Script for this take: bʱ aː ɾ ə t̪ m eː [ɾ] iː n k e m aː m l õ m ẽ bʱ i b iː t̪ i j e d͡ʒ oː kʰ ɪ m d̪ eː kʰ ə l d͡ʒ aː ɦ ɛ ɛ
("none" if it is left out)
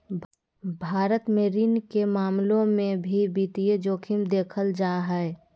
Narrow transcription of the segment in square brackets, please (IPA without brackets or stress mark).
ɾ